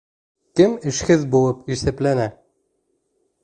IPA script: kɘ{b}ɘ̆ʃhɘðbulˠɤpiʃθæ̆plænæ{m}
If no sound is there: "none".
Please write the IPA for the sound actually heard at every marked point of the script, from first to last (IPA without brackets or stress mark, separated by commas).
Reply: m, none